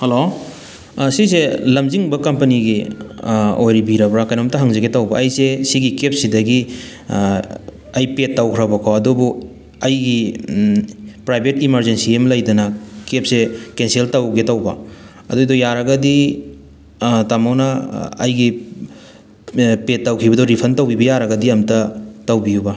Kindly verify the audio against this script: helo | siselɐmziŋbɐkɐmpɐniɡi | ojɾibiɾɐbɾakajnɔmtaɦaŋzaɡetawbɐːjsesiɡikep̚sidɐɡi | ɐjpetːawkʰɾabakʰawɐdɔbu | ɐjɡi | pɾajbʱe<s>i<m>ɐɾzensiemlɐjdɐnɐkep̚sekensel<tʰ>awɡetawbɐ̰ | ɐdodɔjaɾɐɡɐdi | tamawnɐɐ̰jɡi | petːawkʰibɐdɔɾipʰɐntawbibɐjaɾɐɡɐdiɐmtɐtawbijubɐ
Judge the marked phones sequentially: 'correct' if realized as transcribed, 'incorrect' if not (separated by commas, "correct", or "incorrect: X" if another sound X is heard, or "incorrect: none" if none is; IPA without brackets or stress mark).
incorrect: t, correct, incorrect: t